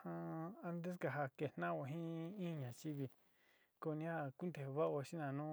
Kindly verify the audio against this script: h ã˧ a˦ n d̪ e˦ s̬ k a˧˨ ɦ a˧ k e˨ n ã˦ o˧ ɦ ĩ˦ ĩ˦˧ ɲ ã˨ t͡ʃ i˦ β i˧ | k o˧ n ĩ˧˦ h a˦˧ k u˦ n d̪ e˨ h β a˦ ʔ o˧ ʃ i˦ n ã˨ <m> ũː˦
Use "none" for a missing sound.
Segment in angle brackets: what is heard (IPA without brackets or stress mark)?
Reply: n